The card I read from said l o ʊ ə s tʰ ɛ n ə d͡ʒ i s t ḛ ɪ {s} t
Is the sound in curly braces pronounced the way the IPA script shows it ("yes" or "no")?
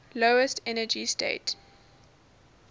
no